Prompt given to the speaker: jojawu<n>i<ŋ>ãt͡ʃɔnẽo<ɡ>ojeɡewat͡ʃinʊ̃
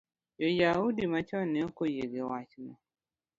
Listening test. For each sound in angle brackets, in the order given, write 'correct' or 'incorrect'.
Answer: incorrect: d, incorrect: m, incorrect: k

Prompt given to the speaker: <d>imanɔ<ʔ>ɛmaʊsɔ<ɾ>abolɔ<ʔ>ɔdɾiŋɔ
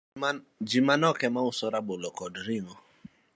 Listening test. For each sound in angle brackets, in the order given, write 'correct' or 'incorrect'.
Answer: incorrect: d͡ʒ, incorrect: k, correct, incorrect: k

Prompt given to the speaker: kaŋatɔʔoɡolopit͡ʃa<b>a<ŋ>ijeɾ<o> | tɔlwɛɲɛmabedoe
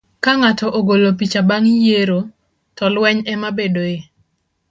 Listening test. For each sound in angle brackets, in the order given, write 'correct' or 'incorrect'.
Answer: correct, correct, correct

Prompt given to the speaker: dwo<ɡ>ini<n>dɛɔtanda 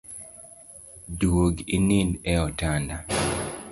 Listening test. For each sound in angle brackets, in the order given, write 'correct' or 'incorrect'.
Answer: correct, correct

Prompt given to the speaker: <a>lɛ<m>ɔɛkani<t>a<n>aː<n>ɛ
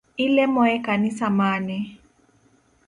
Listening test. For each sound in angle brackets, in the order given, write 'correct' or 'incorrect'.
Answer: incorrect: i, correct, incorrect: s, incorrect: m, correct

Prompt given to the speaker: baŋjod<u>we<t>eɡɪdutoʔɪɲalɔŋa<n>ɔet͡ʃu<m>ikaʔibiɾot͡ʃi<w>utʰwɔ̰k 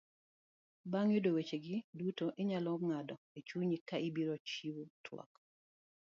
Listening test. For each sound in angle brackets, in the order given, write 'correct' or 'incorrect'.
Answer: incorrect: o, incorrect: t͡ʃ, incorrect: d, incorrect: ɲ, correct

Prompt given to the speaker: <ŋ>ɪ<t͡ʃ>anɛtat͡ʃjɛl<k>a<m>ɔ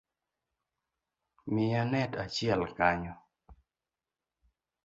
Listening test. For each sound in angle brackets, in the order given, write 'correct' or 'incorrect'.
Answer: incorrect: m, incorrect: none, correct, incorrect: ɲ

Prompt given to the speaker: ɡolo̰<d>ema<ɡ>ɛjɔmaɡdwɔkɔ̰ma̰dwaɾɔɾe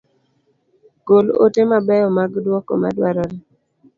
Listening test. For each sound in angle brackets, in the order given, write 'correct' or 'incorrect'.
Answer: incorrect: t, incorrect: b

